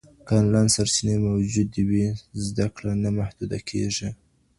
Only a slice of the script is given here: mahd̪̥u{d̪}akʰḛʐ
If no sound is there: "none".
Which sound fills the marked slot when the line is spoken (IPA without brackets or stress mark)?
d̪